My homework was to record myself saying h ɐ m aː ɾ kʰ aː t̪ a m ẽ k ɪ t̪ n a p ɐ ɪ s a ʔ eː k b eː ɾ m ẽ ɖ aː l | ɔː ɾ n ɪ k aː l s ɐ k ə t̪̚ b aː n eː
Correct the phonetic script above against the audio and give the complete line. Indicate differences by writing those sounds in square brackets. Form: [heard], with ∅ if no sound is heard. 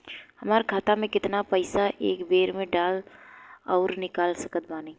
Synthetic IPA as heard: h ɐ m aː ɾ kʰ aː t̪ a m ẽ k ɪ t̪ n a p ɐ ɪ s a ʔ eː k b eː ɾ m ẽ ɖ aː l | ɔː ɾ n ɪ k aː l s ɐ k ə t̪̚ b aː n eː